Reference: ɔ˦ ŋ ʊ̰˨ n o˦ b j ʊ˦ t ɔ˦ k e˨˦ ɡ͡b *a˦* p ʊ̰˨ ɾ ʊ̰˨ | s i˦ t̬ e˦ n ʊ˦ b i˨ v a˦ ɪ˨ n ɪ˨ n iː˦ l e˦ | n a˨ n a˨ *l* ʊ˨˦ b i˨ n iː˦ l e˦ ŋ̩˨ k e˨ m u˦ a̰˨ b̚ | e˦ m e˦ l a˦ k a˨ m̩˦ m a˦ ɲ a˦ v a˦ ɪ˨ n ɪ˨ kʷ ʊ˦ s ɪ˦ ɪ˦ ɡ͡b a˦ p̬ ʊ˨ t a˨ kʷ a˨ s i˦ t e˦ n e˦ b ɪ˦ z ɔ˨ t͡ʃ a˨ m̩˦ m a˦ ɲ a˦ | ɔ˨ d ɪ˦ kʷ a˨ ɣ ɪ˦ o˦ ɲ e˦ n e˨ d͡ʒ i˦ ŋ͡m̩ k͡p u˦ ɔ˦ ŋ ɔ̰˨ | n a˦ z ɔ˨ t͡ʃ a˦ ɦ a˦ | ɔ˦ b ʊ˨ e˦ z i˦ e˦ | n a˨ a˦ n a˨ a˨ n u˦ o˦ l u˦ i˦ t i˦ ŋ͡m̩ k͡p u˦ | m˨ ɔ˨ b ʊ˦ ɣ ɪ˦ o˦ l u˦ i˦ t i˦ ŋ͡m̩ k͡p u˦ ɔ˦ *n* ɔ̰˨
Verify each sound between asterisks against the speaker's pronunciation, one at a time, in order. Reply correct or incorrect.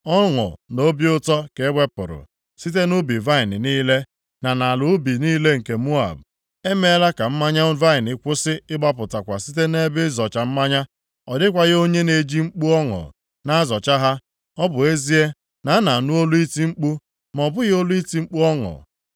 incorrect, correct, incorrect

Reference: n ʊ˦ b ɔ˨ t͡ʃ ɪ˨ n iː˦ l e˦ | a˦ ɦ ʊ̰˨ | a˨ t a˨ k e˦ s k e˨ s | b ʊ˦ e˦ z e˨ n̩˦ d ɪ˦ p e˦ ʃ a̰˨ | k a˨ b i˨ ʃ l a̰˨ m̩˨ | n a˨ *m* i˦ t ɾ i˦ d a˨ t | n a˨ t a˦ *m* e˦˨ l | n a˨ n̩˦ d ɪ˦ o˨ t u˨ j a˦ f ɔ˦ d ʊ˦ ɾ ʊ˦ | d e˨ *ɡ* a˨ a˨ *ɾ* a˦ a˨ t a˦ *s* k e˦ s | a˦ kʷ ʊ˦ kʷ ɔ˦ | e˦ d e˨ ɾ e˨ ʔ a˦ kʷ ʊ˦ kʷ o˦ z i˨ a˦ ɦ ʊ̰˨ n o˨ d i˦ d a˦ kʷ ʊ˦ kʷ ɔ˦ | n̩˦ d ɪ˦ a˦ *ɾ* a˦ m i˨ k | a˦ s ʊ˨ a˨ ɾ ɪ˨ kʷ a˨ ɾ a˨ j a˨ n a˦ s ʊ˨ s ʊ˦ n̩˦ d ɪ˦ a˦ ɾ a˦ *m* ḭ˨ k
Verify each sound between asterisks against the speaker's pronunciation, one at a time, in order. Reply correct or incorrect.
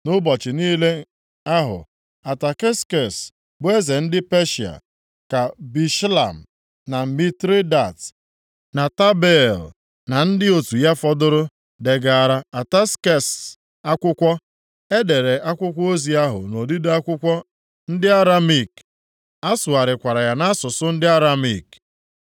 correct, incorrect, correct, correct, correct, correct, correct

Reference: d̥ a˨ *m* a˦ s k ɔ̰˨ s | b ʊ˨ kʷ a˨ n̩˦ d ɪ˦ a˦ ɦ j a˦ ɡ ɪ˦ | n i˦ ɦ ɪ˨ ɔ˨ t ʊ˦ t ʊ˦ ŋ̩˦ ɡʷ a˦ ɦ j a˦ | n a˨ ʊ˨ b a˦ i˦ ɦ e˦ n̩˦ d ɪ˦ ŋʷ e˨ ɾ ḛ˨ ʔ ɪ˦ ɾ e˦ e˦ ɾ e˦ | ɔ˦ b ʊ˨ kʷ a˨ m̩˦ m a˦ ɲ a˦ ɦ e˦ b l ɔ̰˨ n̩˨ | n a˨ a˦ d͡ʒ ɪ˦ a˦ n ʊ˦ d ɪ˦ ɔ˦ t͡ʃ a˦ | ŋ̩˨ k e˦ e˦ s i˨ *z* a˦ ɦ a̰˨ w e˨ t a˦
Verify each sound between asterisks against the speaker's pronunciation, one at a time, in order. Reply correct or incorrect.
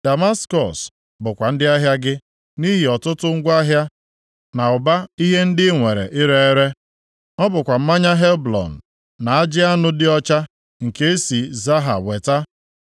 correct, correct

